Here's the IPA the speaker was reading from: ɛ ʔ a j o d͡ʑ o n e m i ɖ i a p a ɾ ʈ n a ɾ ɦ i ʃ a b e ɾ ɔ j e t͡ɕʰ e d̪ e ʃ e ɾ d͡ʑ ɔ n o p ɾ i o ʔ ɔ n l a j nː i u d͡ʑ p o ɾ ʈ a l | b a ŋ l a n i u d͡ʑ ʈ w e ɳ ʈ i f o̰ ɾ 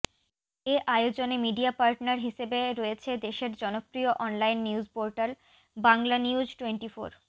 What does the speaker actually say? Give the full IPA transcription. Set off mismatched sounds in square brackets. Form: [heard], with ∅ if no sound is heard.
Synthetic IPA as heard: [e] ʔ a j o d͡ʑ o n e m i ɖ i a p a ɾ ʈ n a ɾ ɦ i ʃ [e] b e ɾ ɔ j e t͡ɕʰ e d̪ e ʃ e ɾ d͡ʑ ɔ n o p ɾ i o ʔ ɔ n l a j nː i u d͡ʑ p o ɾ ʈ a l | b a ŋ l a n i u d͡ʑ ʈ w e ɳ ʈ i f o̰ ɾ